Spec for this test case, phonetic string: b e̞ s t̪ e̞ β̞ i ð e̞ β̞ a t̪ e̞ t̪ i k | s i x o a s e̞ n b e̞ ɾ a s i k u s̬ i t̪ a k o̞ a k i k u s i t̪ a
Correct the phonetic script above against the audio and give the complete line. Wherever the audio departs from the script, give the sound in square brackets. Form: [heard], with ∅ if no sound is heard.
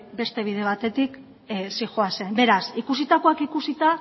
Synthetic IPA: b e̞ s t̪ e̞ β̞ i ð e̞ β̞ a t̪ e̞ t̪ i k | s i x o a s e̞ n b e̞ ɾ a s i k u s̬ i t̪ a k o̞ a k i k u s i t̪ a

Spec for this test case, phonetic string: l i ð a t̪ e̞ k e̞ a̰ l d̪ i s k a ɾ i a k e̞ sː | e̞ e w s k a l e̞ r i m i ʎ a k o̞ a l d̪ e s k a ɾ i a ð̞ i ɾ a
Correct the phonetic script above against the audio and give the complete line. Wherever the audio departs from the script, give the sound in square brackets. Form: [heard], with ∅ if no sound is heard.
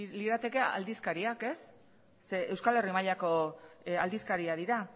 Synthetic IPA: l i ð a t̪ e̞ k e̞ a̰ l d̪ i s k a ɾ i a k e̞ sː | e̞ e w s k a l e̞ r i m [a] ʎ a k o̞ a l d̪ [i] s k a ɾ i a ð̞ i ɾ a

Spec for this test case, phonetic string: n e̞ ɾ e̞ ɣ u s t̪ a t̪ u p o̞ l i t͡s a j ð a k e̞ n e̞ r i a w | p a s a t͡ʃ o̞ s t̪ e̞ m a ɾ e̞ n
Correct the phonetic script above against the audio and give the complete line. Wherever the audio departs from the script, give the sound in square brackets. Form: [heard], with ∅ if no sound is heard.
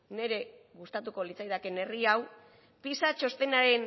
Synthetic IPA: n e̞ ɾ e̞ ɣ u s t̪ a t̪ u [k] o̞ l i t͡s a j ð a k e̞ n e̞ r i a w | p [i] s a t͡ʃ o̞ s t̪ e̞ [n] a ɾ e̞ n

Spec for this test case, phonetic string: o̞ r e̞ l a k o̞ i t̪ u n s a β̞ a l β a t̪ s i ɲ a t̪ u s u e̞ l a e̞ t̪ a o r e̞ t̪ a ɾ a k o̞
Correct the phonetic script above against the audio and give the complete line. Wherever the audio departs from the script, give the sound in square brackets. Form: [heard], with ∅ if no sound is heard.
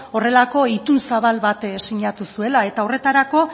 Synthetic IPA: o̞ r e̞ l a k o̞ i t̪ u n s a β̞ a l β a t̪ s i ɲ a t̪ u s u e̞ l a e̞ t̪ a o r e̞ t̪ a ɾ a k o̞

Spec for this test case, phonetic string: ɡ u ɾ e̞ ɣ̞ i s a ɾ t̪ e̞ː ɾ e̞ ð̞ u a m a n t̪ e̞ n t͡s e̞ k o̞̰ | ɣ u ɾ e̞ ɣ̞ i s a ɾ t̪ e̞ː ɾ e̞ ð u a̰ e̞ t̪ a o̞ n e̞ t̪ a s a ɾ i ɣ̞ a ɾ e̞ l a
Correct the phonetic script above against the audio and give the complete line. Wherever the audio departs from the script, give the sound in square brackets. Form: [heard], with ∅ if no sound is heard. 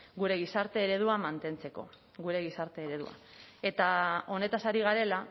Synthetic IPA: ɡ u ɾ e̞ ɣ̞ i s a ɾ t̪ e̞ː ɾ e̞ ð̞ u a m a n t̪ e̞ n t͡s e̞ k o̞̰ | ɣ u ɾ e̞ ɣ̞ i s a ɾ t̪ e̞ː ɾ e̞ ð u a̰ e̞ t̪ a o̞ n e̞ t̪ a s a ɾ i ɣ̞ a ɾ e̞ l a

